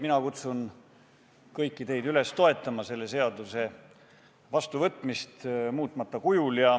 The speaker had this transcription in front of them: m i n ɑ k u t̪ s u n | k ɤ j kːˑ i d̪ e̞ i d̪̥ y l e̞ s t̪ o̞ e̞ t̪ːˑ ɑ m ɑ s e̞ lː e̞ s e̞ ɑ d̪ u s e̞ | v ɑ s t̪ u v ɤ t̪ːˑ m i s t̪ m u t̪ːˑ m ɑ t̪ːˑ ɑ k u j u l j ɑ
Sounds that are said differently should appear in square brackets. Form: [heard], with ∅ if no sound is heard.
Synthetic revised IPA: m i n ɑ k u t̪ s u n | k ɤ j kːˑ i [t̪] e̞ [j] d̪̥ y l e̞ s t̪ o̞ e̞ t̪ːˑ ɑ m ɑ s e̞ lː e̞ s e̞ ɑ d̪ u s e̞ | v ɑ s t̪ u v ɤ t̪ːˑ m i s t̪ m [uː] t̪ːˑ m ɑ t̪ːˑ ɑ k u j u l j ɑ